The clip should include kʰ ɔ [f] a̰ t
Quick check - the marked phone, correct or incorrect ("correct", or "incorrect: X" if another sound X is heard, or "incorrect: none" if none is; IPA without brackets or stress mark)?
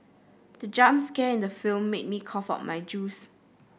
correct